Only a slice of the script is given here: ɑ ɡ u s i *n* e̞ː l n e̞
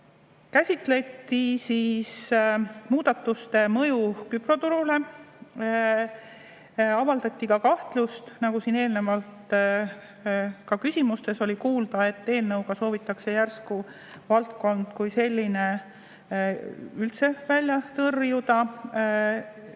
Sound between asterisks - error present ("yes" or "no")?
no